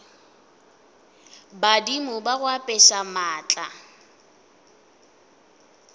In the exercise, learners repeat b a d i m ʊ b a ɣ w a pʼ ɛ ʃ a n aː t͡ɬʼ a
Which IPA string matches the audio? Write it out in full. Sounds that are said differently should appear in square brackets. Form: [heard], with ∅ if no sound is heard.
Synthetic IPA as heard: b a d i m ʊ b a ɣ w a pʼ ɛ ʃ a [m] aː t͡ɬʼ a